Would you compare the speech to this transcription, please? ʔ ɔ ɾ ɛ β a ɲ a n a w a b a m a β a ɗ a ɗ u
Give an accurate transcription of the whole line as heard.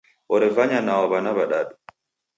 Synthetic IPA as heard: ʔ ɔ ɾ ɛ v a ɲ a n a w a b a n a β a ɗ a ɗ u